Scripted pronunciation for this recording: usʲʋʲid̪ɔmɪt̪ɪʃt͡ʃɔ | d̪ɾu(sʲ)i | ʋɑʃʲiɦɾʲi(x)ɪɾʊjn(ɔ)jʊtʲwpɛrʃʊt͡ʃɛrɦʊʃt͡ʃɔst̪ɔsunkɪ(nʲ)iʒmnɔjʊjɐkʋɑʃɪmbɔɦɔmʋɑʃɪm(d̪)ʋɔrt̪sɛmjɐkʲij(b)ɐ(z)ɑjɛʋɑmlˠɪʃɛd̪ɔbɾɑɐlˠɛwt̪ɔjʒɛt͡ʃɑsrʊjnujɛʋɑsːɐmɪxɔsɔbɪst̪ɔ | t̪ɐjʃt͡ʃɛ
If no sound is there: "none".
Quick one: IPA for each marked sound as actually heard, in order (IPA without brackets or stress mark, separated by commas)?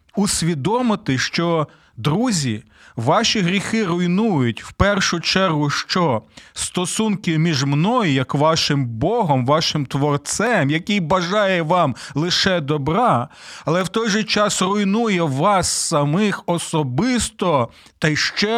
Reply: zʲ, x, u, mʲ, t̪, b, ʒ